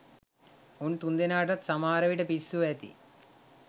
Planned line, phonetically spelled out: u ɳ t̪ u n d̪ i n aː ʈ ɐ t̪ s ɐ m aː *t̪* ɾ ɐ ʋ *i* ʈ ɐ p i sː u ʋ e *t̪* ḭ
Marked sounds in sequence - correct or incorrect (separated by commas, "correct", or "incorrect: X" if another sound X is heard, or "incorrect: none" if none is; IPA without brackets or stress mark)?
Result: incorrect: none, correct, correct